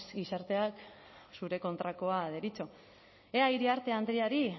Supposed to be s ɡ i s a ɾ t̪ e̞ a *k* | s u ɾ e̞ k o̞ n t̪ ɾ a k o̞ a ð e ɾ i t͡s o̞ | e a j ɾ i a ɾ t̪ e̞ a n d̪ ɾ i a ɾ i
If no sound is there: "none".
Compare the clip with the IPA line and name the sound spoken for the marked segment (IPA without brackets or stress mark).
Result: k